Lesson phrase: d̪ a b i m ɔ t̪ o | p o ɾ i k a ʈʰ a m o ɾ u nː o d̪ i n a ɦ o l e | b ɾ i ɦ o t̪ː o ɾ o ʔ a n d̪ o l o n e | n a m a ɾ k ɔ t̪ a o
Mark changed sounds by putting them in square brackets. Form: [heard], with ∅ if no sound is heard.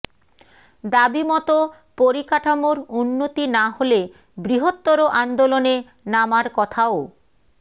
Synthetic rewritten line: d̪ a b i m ɔ t̪ o | p o ɾ i k a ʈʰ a m o ɾ u nː o [t̪] i n a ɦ o l e | b ɾ i ɦ o t̪ː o ɾ o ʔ a n d̪ o l o n e | n a m a ɾ k ɔ [t̪ʰ] a o